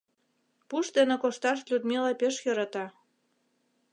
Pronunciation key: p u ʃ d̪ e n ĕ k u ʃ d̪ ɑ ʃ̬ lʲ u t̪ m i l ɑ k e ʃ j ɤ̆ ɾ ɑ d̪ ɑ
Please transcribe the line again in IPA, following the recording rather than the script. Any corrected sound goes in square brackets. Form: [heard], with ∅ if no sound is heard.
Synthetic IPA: p u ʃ d̪ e n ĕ k [o] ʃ [t̪] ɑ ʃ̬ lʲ u [d̪] m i l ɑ [p] e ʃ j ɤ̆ ɾ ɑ [t̪] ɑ